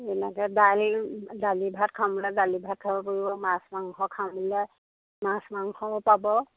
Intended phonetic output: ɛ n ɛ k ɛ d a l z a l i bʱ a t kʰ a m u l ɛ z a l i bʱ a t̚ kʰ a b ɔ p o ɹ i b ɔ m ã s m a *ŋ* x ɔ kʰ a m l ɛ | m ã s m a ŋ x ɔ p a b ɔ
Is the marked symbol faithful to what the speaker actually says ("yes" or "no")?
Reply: yes